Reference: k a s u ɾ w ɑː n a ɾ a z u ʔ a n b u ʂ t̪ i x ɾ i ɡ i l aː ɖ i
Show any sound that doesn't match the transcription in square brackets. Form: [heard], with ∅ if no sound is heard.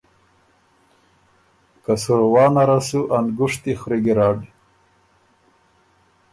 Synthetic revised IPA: k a s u ɾ w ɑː n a ɾ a [s] u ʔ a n [ɡ] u ʂ t̪ i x ɾ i ɡ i [ɾ] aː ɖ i